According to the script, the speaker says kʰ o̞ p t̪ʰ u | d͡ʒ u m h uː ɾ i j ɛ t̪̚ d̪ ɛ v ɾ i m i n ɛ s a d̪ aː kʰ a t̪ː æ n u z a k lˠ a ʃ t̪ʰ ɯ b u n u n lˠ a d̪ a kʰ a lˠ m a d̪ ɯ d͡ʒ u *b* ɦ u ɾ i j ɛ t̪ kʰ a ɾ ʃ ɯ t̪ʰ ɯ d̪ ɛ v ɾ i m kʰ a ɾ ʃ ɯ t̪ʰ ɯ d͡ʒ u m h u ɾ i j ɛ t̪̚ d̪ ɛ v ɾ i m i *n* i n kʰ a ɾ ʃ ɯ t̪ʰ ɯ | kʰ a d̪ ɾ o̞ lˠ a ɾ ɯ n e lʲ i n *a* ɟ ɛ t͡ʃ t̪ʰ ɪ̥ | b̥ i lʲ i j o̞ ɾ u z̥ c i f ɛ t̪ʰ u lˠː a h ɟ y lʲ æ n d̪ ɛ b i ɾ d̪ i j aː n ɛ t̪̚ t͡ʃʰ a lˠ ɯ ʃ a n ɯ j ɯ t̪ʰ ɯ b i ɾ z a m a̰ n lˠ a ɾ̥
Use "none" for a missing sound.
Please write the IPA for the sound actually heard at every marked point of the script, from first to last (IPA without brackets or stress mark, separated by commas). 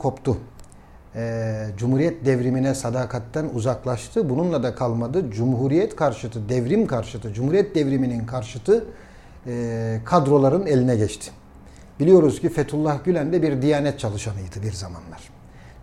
m, n, ɛ